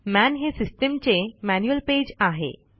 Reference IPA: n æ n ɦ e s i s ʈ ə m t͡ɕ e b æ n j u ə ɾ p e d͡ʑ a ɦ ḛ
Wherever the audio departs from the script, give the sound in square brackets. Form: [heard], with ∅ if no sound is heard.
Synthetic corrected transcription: [m] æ n ɦ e s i s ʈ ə m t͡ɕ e [m] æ n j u ə [l] p e d͡ʑ a ɦ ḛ